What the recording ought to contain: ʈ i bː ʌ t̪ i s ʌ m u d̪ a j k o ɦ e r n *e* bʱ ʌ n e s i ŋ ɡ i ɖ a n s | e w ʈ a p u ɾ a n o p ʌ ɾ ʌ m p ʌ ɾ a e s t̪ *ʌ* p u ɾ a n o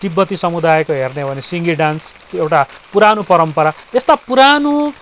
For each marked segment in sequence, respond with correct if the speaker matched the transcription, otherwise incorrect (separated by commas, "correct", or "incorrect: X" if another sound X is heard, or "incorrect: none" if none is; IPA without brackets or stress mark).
correct, incorrect: a